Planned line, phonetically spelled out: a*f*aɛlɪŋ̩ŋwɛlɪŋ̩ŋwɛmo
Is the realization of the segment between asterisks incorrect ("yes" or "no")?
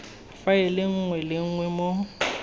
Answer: no